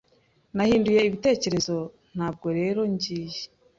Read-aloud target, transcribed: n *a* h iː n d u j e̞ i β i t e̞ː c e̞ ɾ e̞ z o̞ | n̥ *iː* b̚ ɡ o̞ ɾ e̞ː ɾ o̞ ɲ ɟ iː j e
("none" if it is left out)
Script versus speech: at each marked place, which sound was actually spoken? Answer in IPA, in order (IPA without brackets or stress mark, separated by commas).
a, aː